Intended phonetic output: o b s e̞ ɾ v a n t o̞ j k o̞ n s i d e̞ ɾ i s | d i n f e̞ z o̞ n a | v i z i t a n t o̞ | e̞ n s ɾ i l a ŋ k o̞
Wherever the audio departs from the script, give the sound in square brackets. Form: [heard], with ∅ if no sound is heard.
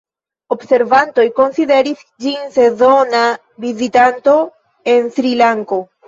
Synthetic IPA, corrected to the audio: o b s e̞ ɾ v a n t o̞ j k o̞ n s i d e̞ ɾ i s | [d͡ʒ] i n [s] e̞ z o̞ n a | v i z i t a n t o̞ | e̞ n s ɾ i l a ŋ k o̞

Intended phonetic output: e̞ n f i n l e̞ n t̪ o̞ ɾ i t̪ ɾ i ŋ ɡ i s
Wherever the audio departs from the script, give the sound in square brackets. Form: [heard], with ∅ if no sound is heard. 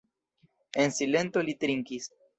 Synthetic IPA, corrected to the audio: e̞ n [s] i [∅] l e̞ n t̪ o̞ [l] i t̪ ɾ i ŋ [k] i s

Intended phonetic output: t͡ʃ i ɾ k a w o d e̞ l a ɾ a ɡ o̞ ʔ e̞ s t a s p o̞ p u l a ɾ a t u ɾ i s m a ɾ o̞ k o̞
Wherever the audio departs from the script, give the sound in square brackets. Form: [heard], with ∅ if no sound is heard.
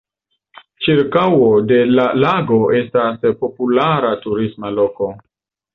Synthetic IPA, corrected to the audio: t͡ʃ i ɾ k a w o d e̞ l a [l] a ɡ o̞ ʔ e̞ s t a s p o̞ p u l a ɾ a t u ɾ i s m a [l] o̞ k o̞

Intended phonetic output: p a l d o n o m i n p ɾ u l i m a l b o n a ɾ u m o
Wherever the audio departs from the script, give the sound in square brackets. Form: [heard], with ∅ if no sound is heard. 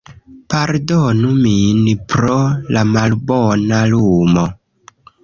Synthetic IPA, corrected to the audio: p a [ɾ] d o n [u] m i n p ɾ [o] l [a] m a l b o n a [l] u m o

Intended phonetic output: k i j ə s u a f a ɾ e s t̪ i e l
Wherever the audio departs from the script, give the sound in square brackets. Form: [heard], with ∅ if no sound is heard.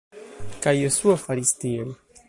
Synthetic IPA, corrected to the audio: k [a] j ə s u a f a ɾ [i] s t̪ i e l

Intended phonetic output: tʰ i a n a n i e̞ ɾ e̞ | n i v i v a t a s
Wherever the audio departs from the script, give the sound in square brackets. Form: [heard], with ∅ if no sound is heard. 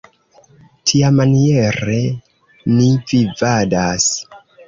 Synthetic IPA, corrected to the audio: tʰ i a [m] a n i e̞ ɾ e̞ | n i v i v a [d] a s

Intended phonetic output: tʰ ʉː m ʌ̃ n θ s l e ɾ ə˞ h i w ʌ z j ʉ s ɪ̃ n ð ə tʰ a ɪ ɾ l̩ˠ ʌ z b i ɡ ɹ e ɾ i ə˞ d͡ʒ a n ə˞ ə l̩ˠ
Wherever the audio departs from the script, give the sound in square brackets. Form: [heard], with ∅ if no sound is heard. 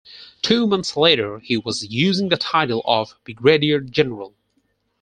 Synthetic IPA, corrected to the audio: tʰ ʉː m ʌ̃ n θ s l e ɾ ə˞ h i w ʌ z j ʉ [z] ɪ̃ [ŋ] ð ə tʰ a ɪ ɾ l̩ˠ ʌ [v] b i ɡ ɹ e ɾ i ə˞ d͡ʒ [ɛ] n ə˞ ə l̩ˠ

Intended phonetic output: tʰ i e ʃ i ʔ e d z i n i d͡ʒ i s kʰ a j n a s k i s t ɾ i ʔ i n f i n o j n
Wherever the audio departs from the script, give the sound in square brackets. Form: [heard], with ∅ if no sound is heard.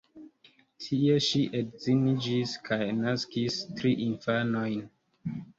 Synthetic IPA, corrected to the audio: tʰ i e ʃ i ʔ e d z i n i d͡ʒ i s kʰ a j n a s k i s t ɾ i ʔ i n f [a] n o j n

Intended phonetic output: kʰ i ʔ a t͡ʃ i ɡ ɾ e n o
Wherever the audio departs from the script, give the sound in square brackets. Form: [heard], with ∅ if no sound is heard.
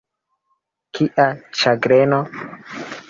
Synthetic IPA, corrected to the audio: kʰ i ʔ a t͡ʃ [a] ɡ ɾ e n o

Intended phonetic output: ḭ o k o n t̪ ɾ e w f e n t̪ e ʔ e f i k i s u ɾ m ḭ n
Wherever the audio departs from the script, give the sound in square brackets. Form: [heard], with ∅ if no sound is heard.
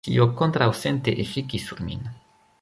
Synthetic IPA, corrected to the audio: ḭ o k o n t̪ ɾ [a] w [s] e n t̪ e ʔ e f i k i s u ɾ m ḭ n

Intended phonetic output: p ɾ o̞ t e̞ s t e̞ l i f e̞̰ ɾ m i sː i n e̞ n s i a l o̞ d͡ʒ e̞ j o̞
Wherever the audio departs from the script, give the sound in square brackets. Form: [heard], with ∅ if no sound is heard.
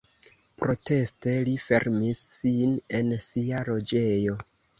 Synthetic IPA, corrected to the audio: p ɾ o̞ t e̞ s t e̞ l i f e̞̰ ɾ m i sː i n e̞ n s i a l o̞ d͡ʒ e̞ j o̞

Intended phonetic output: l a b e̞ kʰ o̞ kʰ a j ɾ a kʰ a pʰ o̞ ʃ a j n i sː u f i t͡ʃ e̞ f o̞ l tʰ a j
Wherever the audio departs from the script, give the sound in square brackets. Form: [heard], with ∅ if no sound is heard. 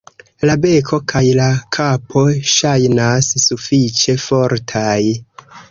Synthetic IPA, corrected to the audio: l a b e̞ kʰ o̞ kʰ a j [l] a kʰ a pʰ o̞ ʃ a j n [a] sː u f i t͡ʃ e̞ f o̞ [ɾ] tʰ a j

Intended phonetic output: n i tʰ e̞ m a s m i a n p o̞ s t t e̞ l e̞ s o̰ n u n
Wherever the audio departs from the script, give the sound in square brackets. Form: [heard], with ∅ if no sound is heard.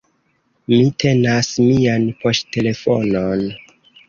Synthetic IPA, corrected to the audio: [m] i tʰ e̞ [n] a s m i a n p o̞ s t t e̞ l e̞ [f] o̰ n [o] n

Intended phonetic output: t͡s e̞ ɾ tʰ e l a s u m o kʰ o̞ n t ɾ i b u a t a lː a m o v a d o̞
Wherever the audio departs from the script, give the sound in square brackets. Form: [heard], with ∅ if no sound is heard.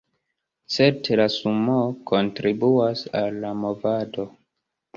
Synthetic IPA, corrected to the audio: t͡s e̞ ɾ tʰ e l a s u m o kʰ o̞ n t ɾ i b u a [s] a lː a m o v a d o̞

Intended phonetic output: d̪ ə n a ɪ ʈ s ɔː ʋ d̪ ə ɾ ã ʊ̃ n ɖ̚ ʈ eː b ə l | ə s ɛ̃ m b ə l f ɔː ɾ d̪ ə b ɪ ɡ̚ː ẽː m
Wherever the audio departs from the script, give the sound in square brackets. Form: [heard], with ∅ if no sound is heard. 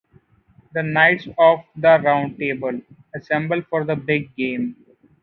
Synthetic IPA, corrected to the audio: d̪ ə n a ɪ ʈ s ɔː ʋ d̪ ə ɾ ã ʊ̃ [ɳ] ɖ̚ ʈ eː b ə l | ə s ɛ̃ m b ə l f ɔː ɾ d̪ ə b ɪ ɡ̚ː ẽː m

